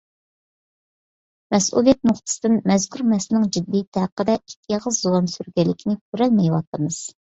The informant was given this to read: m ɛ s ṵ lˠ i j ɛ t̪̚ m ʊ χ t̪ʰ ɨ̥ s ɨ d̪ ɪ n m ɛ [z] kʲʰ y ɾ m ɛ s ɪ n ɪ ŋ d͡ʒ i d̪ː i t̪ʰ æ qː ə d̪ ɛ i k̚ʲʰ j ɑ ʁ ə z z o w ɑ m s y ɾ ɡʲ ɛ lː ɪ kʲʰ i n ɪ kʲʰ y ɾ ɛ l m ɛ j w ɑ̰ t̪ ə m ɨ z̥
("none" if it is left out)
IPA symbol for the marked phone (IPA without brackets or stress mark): z